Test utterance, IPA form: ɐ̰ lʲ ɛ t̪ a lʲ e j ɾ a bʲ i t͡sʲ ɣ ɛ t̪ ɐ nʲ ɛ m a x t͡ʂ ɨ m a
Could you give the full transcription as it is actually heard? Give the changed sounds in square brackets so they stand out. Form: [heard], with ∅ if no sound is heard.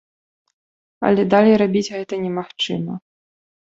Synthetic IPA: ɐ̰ lʲ ɛ [d̪] a lʲ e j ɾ a bʲ i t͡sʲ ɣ ɛ t̪ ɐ nʲ ɛ m a x t͡ʂ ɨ m [ɐ]

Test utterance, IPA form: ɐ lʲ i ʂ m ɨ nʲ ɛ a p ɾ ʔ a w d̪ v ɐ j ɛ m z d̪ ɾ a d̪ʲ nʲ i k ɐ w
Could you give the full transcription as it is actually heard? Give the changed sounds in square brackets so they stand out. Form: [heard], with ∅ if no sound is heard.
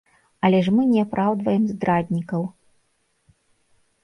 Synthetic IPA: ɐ lʲ [ɛ] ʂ m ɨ nʲ ɛ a p ɾ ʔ a w d̪ v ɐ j ɛ m z d̪ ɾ a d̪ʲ nʲ i k ɐ w

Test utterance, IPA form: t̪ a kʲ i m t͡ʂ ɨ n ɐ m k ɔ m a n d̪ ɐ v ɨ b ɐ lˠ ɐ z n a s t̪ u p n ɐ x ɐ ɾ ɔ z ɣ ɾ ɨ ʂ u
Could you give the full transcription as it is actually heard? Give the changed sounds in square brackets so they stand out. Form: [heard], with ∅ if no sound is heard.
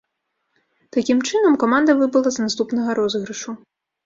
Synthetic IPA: t̪ a kʲ i m t͡ʂ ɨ n ɐ m k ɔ m a n d̪ ɐ v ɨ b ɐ lˠ ɐ z n a s t̪ u p n ɐ [ɣ] ɐ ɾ ɔ z ɣ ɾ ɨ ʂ u

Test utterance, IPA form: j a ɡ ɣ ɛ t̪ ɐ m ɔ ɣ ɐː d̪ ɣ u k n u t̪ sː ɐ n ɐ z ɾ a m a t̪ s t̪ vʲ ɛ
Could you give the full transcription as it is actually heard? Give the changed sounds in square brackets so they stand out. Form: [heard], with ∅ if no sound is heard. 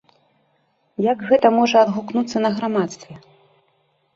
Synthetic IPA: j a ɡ ɣ ɛ t̪ ɐ m ɔ [ʐ] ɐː d̪ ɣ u k n u t̪ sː ɐ n ɐ [ɣ] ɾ a m a t̪ s t̪ vʲ ɛ

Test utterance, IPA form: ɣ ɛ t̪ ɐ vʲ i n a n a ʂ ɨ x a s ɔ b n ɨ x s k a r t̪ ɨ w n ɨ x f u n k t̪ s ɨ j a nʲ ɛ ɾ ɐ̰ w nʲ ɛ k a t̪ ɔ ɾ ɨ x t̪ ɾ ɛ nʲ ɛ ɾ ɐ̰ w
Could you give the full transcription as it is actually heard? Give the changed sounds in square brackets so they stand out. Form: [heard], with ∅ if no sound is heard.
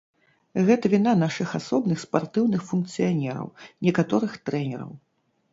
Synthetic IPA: ɣ ɛ t̪ ɐ vʲ i n a n a ʂ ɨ x a s ɔ b n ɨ x s [p] a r t̪ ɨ w n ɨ x f u n k t̪ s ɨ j a nʲ ɛ ɾ ɐ̰ w nʲ ɛ k a t̪ ɔ ɾ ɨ x t̪ ɾ ɛ nʲ ɛ ɾ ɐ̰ w

